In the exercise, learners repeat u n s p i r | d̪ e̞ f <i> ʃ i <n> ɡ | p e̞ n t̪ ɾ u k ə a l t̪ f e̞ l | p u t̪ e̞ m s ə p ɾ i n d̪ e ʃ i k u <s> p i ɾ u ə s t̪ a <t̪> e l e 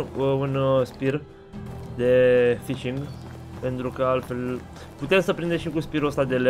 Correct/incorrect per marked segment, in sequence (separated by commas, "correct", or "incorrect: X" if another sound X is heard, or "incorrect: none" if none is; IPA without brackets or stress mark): correct, incorrect: ŋ, correct, incorrect: d̪